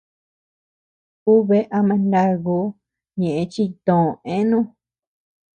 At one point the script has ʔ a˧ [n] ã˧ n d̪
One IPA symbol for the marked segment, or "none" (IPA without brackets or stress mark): m